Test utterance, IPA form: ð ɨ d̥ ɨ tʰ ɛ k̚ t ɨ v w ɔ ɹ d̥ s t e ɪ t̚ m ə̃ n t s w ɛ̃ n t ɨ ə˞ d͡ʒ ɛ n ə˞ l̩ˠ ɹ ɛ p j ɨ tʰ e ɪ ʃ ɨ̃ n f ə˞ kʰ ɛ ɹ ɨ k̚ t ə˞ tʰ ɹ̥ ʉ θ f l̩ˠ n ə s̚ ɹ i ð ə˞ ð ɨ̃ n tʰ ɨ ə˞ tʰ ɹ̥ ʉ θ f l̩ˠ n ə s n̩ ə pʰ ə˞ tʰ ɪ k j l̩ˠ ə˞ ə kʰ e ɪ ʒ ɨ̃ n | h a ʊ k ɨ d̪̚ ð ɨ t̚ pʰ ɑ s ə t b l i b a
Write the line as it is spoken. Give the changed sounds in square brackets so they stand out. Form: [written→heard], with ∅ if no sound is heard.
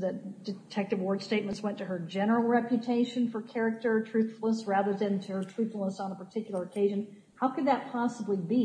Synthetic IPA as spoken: ð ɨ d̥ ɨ tʰ ɛ k̚ t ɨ v w ɔ ɹ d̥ s t e ɪ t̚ m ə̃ n t s w ɛ̃ n t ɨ ə˞ d͡ʒ ɛ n ə˞ l̩ˠ ɹ ɛ p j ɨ tʰ e ɪ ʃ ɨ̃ n f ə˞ kʰ ɛ ɹ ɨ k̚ t ə˞ tʰ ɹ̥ ʉ θ f l̩ˠ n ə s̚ ɹ [i→æ] ð ə˞ ð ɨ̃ n tʰ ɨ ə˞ tʰ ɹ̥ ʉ θ f l̩ˠ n ə s n̩ ə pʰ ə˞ tʰ ɪ k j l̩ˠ ə˞ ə kʰ e ɪ ʒ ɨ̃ n | h a ʊ k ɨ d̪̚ ð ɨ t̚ pʰ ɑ s ə [t→∅] b l i b [a→i]